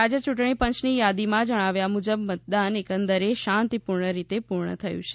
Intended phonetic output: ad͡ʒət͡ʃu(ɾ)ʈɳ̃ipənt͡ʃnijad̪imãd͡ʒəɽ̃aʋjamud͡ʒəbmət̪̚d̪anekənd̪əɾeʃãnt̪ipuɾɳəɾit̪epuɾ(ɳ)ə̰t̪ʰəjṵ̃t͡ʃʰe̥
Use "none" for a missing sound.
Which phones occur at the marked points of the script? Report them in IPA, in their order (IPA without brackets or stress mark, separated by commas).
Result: none, ɳ